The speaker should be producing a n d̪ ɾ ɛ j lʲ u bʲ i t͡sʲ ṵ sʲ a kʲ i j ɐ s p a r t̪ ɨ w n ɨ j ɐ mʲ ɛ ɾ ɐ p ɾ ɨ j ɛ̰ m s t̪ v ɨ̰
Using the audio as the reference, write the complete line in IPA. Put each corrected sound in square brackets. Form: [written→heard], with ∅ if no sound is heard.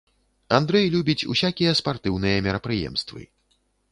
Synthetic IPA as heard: a n d̪ ɾ ɛ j lʲ u bʲ i t͡sʲ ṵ sʲ a kʲ i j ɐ s p a r t̪ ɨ w n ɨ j ɐ mʲ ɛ ɾ ɐ p ɾ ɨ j ɛ̰ m s t̪ v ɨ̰